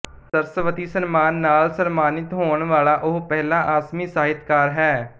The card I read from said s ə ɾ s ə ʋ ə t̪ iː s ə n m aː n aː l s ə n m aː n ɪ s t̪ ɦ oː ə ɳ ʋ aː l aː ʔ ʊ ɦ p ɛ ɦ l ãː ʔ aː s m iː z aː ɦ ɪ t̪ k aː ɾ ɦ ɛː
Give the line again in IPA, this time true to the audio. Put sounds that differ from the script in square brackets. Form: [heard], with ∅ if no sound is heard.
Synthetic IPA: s ə ɾ s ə ʋ ə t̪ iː s ə n m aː [nː] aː l s ə n m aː n ɪ [∅] t̪ ɦ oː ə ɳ ʋ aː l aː ʔ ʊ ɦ p ɛ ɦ l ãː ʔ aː s m iː [s] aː ɦ ɪ t̪ k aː ɾ ɦ ɛː